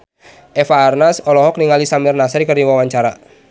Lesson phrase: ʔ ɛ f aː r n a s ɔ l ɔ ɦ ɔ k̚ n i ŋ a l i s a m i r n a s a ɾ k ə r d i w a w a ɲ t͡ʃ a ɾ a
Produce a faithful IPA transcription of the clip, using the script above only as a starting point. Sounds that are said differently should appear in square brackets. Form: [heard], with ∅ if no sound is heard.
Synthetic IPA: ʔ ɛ f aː r n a s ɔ l ɔ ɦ ɔ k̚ n i ŋ a l i s a m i r n a s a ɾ k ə r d i w a w a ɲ t͡ʃ a ɾ a

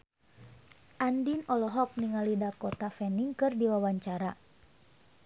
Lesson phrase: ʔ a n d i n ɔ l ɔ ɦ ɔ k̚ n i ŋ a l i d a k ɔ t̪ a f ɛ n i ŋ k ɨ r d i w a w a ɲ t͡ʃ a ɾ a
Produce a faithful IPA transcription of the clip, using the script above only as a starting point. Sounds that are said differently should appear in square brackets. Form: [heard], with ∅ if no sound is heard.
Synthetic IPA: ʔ a n d i n ɔ l ɔ ɦ ɔ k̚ n i ŋ a l i d a k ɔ t̪ a f ɛ n i ŋ k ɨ r d i w a w a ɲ t͡ʃ a ɾ a

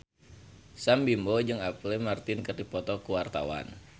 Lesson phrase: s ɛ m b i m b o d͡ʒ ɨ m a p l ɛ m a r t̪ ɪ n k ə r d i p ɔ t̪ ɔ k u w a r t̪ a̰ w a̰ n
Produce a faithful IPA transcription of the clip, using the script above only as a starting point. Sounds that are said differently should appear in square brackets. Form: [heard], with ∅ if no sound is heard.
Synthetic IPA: s [a] m b i m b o d͡ʒ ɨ [ŋ] a p l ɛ m a r t̪ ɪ n k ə r d i p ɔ t̪ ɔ k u w a r t̪ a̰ w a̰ n

